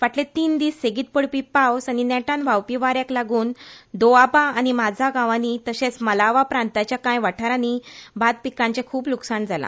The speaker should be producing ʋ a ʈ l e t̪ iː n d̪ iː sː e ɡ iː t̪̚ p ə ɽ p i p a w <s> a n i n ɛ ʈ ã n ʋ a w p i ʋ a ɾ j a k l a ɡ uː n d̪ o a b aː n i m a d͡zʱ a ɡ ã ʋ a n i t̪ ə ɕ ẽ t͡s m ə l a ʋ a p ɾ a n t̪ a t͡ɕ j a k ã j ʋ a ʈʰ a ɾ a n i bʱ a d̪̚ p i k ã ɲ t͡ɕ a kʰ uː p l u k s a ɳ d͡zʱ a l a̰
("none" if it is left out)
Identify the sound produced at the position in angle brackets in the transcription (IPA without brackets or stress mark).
s